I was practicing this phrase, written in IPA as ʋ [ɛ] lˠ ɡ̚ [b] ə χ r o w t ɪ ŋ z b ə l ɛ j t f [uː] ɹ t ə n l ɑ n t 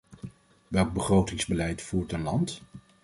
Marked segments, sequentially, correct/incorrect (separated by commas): correct, correct, correct